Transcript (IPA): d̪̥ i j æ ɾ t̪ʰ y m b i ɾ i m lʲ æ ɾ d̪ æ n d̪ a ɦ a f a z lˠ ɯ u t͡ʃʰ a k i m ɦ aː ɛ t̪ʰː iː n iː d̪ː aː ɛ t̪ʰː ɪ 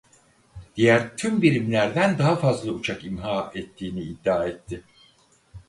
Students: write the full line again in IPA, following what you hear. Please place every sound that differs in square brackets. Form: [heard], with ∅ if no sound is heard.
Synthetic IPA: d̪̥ i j æ ɾ t̪ʰ y m b i ɾ i m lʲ æ ɾ d̪ æ n d̪ a ɦ a f a z lˠ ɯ u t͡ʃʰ a k i m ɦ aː ɛ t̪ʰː iː n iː d̪ː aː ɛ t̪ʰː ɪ